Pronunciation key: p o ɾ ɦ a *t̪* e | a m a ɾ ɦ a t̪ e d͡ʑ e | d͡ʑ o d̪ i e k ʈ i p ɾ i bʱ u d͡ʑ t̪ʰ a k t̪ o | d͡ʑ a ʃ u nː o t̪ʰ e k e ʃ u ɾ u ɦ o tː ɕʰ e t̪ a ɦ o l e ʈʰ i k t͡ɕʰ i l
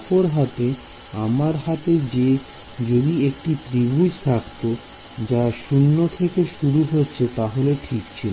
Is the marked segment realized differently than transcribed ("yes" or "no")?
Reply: no